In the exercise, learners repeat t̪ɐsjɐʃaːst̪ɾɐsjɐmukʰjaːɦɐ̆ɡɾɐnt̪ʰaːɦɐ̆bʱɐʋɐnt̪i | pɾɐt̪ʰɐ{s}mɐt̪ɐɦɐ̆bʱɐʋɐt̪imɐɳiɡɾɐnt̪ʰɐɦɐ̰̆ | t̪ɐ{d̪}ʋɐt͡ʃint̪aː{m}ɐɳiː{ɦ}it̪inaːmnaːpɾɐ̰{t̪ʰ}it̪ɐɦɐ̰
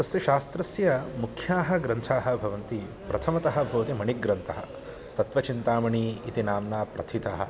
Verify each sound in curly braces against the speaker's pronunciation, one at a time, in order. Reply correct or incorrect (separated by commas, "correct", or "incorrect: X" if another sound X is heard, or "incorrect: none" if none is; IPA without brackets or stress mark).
incorrect: none, incorrect: t̪, correct, incorrect: none, correct